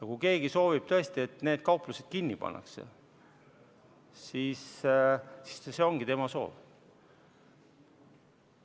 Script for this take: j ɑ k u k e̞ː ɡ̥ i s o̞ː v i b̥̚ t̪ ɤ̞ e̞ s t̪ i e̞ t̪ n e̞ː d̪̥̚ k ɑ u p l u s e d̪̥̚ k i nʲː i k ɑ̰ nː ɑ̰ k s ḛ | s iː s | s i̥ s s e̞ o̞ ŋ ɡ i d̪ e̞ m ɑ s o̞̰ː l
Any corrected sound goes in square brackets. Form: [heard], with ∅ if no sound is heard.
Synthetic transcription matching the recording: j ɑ k u k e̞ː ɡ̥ i s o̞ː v i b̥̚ t̪ ɤ̞ e̞ s t̪ i e̞ t̪ n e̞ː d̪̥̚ k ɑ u p l u s e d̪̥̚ k i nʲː i [p] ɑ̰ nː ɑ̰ k s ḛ | s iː s | s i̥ s s e̞ o̞ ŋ ɡ i [t̪] e̞ m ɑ s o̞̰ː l